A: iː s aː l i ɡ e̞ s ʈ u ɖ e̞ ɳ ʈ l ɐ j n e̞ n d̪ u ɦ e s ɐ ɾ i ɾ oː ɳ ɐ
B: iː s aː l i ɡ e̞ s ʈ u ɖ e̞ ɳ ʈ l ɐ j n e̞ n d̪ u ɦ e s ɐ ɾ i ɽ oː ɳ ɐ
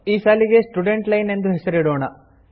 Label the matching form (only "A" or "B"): B